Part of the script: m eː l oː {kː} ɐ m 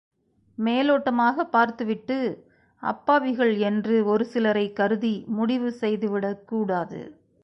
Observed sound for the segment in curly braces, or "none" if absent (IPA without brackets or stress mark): ʈː